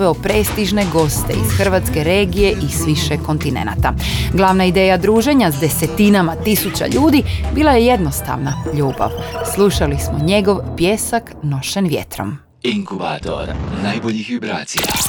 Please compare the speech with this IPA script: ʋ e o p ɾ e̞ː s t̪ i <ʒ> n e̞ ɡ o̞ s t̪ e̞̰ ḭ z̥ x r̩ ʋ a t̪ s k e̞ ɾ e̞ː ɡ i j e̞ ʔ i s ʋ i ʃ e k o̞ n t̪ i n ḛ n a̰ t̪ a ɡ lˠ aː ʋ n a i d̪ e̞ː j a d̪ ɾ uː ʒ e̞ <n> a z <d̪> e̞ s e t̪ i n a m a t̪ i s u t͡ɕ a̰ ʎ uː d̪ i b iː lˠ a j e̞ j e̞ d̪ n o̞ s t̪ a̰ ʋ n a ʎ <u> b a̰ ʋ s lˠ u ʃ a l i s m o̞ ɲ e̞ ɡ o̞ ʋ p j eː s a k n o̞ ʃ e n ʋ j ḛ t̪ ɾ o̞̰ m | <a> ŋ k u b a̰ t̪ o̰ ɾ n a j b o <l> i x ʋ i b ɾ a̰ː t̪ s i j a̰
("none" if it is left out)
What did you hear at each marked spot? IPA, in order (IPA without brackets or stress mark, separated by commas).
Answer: ʒ, ɲ, d̪, uː, i, ʎ